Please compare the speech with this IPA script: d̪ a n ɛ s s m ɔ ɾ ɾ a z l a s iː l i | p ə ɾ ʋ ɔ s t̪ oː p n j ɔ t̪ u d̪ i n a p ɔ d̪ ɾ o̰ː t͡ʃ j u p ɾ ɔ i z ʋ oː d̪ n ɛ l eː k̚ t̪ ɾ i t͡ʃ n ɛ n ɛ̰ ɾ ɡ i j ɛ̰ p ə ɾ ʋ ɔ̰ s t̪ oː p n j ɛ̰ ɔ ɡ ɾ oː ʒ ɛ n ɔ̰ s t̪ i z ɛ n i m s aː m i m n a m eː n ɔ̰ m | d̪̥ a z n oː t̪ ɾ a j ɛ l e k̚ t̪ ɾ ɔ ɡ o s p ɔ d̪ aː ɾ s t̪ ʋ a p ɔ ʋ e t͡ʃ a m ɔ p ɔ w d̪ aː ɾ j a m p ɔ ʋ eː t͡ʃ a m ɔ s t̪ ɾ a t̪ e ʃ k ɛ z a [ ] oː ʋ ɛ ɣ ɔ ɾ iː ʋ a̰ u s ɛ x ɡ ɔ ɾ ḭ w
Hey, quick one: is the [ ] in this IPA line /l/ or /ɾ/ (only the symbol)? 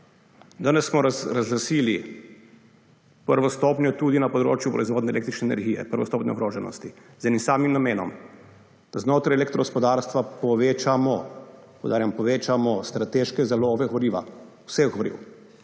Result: l